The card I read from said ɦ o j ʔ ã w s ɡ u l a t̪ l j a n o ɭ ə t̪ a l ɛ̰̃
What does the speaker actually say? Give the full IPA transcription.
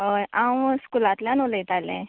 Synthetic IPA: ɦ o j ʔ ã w s k u l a t̪ l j a n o l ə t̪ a l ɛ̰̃